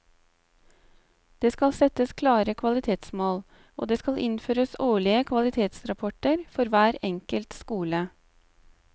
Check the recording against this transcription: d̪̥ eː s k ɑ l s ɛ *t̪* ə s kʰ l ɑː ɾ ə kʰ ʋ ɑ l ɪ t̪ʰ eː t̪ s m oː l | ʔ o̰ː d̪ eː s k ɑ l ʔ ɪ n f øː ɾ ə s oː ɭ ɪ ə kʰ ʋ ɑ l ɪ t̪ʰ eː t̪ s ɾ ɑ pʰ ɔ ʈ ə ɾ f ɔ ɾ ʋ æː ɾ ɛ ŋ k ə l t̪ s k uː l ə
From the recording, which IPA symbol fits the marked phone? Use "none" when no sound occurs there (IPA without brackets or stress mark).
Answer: t̪